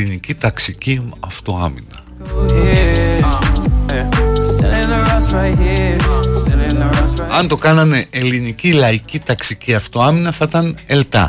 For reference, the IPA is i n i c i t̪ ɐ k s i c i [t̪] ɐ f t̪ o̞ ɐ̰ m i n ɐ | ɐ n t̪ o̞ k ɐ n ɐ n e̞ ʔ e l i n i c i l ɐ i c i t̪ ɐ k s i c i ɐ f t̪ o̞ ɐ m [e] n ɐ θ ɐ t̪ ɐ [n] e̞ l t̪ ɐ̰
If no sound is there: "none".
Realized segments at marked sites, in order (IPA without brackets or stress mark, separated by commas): none, i, n